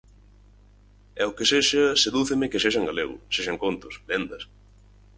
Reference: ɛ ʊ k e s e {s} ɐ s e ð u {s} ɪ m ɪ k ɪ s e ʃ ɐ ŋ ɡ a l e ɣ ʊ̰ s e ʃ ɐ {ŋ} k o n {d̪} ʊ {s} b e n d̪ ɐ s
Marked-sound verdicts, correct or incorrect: incorrect: ʃ, incorrect: θ, correct, incorrect: t̪, correct

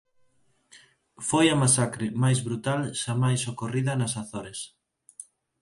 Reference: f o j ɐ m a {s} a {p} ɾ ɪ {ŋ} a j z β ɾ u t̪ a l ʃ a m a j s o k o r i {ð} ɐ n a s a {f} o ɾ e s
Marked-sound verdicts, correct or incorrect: correct, incorrect: k, incorrect: m, correct, incorrect: θ

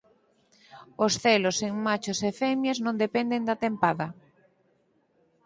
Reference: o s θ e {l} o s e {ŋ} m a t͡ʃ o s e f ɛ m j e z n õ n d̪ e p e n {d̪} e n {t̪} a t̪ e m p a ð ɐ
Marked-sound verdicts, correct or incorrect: correct, correct, correct, incorrect: d̪

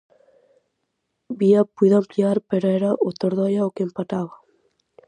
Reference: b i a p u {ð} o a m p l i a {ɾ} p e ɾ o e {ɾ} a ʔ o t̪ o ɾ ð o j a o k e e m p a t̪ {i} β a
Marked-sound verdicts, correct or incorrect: correct, correct, correct, incorrect: a

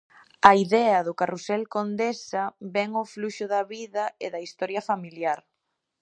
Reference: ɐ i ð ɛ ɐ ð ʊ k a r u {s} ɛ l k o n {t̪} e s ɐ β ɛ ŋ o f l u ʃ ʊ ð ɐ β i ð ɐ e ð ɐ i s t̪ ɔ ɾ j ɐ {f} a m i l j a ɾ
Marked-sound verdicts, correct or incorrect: correct, incorrect: d̪, correct

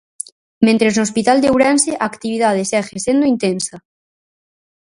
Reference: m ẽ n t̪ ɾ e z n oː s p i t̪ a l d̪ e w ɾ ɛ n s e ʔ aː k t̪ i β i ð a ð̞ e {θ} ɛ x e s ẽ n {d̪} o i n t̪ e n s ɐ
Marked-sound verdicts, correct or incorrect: incorrect: s, correct

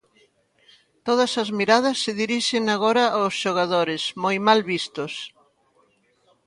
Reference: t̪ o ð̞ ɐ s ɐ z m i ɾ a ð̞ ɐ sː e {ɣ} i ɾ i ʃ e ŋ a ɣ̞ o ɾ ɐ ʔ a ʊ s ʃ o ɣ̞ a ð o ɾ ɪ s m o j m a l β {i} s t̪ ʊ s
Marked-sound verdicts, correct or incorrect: incorrect: ð, correct

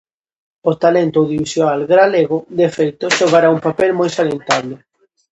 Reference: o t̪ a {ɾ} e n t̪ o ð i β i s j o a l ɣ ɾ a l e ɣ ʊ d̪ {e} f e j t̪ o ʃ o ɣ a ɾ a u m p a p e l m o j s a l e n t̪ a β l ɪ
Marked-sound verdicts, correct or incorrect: incorrect: l, correct

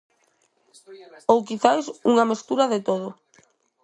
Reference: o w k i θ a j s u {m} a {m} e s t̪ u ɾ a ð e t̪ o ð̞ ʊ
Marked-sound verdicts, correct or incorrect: incorrect: ŋ, correct

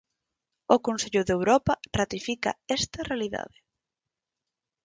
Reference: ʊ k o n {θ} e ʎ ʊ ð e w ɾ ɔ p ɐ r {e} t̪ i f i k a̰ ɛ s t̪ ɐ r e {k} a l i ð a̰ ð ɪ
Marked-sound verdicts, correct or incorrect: incorrect: s, incorrect: a, incorrect: none

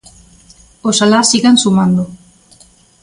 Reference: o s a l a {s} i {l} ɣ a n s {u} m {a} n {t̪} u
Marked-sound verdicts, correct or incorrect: correct, incorrect: none, correct, correct, incorrect: d̪

